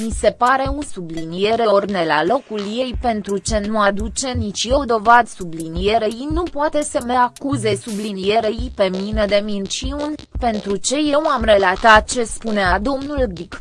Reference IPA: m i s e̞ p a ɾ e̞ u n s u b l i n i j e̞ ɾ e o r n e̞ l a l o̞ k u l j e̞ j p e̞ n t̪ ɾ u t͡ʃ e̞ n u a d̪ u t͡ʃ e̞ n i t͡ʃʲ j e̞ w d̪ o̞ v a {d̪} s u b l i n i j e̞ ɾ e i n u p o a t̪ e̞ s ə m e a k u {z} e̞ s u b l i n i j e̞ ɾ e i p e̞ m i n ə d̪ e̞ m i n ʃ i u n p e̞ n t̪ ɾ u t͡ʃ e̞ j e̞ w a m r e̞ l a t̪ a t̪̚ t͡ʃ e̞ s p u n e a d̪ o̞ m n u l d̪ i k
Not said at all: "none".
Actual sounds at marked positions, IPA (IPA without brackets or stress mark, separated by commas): d̪, z